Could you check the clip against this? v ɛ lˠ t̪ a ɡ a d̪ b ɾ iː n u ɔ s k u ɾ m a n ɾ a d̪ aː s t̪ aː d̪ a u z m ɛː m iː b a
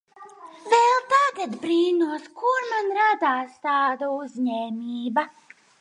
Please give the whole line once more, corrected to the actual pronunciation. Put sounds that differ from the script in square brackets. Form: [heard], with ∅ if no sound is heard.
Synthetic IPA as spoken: v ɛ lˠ t̪ a ɡ a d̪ b ɾ iː n u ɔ s k u ɾ m a n ɾ a d̪ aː s t̪ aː d̪ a u z [ɲ] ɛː m iː b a